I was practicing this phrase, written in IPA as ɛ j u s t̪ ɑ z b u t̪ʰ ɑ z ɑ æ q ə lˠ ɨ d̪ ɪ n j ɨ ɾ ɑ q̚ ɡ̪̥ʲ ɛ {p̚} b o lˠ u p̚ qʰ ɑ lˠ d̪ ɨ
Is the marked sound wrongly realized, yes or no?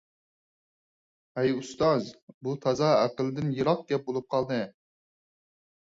no